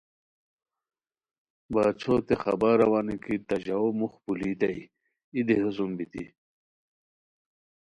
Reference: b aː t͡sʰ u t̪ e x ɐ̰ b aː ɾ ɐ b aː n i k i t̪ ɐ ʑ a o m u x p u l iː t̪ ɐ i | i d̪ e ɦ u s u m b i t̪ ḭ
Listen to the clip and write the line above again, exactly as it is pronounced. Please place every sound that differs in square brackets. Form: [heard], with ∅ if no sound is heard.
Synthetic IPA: b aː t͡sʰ [o] t̪ e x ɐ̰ b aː ɾ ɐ [w] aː n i k i t̪ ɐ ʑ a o m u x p u l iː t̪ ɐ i | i d̪ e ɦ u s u m b i t̪ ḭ